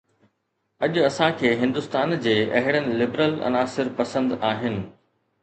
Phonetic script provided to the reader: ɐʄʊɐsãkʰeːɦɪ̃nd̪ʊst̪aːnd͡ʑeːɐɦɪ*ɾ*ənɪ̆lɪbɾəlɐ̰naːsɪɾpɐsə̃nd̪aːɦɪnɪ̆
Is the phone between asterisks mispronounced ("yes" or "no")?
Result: yes